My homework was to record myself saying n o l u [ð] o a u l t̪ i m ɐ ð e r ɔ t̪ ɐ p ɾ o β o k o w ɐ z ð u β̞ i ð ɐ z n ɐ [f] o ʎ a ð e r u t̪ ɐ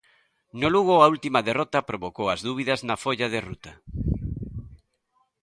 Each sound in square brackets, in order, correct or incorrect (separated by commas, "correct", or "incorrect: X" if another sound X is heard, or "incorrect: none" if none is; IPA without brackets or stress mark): incorrect: ɣ, correct